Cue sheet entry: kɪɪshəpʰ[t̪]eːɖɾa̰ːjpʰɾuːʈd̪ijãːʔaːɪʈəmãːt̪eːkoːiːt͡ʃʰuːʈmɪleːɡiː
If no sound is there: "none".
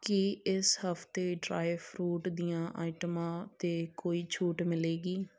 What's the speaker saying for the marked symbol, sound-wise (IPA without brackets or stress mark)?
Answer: t̪